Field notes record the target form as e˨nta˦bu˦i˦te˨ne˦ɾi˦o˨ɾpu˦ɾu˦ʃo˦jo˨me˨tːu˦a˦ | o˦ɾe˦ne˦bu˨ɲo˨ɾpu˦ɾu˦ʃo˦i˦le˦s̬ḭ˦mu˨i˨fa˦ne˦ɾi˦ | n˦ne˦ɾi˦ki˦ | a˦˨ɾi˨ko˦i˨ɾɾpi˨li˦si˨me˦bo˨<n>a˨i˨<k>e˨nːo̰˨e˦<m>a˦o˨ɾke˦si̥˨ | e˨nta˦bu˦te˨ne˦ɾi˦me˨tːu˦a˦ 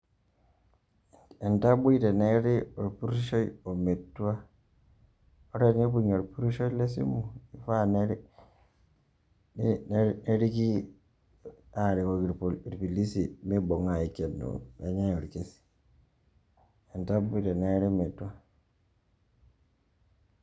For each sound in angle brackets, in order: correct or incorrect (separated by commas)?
incorrect, correct, incorrect